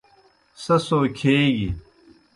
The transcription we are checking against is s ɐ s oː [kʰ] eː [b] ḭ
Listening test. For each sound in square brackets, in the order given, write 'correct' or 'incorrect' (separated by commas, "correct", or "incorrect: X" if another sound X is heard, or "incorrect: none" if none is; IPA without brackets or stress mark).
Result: correct, incorrect: ɡ